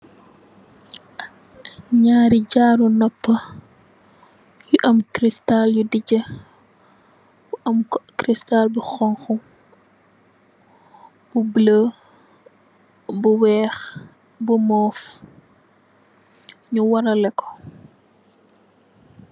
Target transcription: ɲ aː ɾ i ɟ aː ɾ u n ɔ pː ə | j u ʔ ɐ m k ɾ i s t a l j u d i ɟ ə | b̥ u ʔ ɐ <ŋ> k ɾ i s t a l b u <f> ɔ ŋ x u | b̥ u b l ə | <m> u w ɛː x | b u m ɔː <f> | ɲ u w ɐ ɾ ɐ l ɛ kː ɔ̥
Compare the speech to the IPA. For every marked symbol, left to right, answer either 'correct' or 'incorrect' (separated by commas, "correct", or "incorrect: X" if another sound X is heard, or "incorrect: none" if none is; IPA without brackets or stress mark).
incorrect: m, incorrect: x, incorrect: b, correct